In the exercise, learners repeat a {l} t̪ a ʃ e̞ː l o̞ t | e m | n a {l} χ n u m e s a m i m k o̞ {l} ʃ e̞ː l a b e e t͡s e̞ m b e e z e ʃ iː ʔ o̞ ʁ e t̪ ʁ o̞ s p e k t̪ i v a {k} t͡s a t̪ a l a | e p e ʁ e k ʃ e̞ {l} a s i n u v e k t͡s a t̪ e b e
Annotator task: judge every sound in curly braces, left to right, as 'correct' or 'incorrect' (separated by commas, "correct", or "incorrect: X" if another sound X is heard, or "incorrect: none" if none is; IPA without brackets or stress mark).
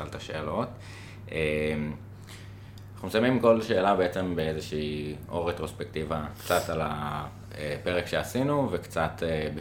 correct, incorrect: none, correct, correct, incorrect: none